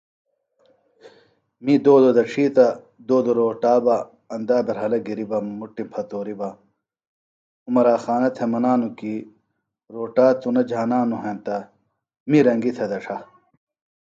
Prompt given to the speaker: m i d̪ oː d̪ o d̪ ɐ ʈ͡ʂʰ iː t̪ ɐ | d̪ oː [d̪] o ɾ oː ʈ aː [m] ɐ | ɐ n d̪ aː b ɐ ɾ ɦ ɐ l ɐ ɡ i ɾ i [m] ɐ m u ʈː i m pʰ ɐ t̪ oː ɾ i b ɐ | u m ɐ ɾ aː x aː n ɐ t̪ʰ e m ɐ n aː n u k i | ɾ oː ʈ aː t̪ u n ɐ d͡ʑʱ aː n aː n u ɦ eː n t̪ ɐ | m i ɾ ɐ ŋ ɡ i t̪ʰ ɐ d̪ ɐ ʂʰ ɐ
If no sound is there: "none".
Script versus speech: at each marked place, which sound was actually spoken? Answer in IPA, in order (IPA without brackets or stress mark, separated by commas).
d̪, b, b